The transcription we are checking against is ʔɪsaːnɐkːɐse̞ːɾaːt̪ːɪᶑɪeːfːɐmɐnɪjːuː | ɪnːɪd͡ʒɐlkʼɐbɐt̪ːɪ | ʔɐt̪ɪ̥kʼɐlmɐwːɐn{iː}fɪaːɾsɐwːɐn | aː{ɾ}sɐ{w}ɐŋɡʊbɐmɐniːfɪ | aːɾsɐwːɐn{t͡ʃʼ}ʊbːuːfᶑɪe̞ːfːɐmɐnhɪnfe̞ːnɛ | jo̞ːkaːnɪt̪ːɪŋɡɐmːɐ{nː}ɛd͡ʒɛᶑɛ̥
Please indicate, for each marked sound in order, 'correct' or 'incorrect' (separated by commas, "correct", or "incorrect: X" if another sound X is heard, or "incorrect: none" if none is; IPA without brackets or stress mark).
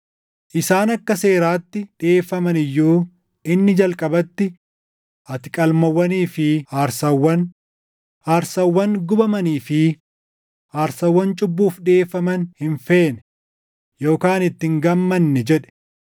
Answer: correct, correct, incorrect: wː, correct, correct